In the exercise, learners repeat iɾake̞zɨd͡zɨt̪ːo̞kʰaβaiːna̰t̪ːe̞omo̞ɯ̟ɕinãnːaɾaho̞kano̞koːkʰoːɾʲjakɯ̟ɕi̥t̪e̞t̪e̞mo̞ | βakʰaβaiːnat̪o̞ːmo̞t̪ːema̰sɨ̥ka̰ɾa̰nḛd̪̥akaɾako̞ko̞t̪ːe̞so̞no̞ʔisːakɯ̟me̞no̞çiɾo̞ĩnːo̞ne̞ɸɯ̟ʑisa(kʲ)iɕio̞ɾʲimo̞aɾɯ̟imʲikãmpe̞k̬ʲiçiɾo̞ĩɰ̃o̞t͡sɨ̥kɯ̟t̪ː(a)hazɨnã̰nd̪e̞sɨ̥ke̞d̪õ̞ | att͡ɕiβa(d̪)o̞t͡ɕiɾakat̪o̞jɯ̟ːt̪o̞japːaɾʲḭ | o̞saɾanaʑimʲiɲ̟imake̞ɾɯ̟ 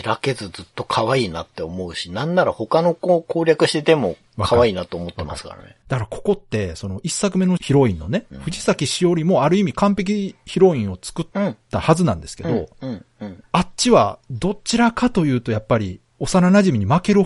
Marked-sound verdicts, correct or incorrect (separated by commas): correct, correct, correct